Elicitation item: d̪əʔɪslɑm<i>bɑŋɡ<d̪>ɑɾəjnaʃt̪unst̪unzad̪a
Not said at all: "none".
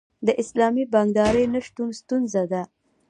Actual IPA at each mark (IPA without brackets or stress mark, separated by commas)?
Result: i, d̪